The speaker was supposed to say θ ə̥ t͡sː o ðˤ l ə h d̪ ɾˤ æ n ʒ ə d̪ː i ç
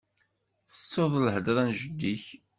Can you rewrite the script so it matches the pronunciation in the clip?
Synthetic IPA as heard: θ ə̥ t͡sː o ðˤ l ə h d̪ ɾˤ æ n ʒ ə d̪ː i ç